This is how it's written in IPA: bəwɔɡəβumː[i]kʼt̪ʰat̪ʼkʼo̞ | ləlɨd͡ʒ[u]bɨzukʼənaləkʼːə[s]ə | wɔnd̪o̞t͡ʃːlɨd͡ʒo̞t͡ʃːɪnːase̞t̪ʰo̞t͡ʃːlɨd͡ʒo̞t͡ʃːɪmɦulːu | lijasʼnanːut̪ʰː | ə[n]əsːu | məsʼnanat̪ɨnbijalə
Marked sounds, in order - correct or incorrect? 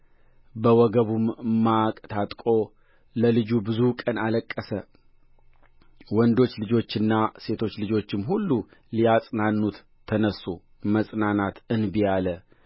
incorrect, correct, correct, correct

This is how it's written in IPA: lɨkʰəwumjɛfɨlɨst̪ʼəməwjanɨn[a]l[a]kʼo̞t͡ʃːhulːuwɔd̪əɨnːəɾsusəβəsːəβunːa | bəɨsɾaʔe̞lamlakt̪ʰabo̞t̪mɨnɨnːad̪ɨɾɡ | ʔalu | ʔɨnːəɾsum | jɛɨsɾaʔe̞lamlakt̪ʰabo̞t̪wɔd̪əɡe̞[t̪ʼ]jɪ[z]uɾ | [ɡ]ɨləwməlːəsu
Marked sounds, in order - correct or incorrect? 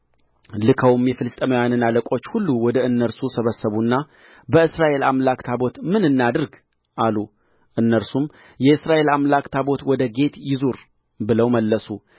correct, incorrect, incorrect, correct, incorrect

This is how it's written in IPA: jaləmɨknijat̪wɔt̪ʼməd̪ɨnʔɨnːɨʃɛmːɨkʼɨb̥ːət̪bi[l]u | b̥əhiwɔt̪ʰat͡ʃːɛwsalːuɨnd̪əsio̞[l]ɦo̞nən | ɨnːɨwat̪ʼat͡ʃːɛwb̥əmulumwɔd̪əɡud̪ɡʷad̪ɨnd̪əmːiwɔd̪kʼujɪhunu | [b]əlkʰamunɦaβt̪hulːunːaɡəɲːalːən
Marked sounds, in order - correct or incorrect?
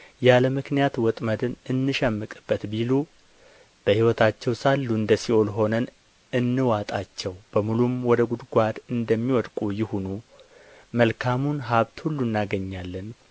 correct, correct, incorrect

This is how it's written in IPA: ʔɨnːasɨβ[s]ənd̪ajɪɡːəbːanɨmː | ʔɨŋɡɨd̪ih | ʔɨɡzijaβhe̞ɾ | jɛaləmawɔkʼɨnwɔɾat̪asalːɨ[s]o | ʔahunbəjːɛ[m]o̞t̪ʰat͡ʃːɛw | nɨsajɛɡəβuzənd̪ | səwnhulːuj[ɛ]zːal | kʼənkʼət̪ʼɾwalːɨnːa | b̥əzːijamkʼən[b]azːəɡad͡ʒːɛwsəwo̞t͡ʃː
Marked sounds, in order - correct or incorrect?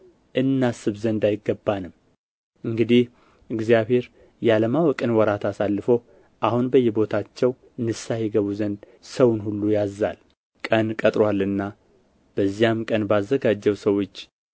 incorrect, incorrect, incorrect, incorrect, correct

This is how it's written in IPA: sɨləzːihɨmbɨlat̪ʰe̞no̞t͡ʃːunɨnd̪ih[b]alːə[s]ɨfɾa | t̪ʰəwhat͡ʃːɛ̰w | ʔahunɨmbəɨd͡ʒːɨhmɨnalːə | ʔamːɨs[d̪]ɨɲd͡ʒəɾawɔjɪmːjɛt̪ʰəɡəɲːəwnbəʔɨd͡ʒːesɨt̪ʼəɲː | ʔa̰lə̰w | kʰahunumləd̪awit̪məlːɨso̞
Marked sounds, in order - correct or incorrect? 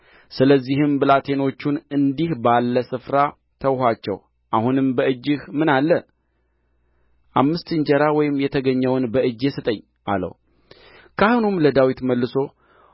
correct, correct, incorrect

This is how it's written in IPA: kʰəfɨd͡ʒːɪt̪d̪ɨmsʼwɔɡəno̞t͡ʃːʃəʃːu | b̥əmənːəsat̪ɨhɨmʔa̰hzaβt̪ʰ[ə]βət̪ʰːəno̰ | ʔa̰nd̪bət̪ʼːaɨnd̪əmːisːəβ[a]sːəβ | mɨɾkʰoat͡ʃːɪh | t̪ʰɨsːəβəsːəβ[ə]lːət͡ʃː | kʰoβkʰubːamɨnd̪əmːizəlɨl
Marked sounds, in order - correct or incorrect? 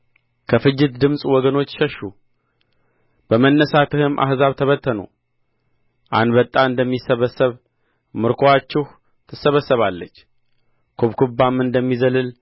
correct, incorrect, incorrect

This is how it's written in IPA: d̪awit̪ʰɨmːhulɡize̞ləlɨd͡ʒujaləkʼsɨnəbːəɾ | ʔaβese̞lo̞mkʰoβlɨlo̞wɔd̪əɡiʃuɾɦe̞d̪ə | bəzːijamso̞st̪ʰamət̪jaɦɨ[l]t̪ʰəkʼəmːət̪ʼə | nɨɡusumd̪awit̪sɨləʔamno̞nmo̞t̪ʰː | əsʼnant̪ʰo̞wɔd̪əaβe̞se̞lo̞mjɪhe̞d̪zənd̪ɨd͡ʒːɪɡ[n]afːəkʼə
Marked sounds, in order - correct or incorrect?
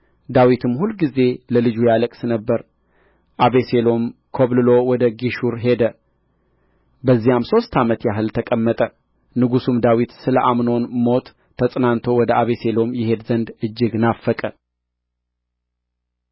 correct, correct

